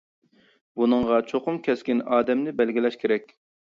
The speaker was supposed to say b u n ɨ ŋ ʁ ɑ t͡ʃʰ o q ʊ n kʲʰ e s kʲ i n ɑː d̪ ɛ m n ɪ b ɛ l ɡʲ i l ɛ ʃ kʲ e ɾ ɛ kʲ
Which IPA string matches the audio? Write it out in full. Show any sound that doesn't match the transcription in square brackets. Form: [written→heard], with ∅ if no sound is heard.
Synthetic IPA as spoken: b u n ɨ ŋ ʁ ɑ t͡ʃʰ o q ʊ [n→m] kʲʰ [e→ɛ] s kʲ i n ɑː d̪ ɛ m n ɪ b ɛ l ɡʲ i l ɛ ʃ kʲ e ɾ ɛ kʲ